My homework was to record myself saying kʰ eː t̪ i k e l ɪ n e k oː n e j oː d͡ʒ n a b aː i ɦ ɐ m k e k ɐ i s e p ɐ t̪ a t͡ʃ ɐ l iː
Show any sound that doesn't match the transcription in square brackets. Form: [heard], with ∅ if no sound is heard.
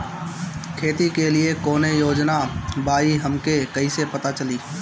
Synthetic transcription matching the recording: kʰ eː t̪ i k e l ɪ [∅] e k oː n e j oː d͡ʒ n a b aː i ɦ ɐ m k e k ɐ i s e p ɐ t̪ a t͡ʃ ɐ l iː